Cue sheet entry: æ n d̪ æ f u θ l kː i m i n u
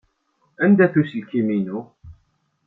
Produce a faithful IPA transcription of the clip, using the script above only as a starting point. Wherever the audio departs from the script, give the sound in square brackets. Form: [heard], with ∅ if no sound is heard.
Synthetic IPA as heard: æ n d̪ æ [θ] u [s] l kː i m i n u